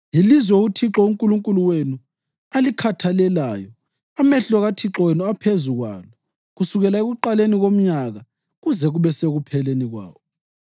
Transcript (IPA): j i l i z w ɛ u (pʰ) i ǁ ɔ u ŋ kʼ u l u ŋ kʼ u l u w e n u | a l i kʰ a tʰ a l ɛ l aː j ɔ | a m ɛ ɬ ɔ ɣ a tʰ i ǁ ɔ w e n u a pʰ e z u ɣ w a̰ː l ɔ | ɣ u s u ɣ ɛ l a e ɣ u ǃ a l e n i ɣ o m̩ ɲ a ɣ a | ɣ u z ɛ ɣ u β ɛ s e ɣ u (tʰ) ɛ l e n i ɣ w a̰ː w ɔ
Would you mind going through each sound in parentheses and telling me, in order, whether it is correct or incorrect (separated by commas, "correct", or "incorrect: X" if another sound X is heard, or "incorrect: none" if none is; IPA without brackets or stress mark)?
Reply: incorrect: tʰ, incorrect: pʰ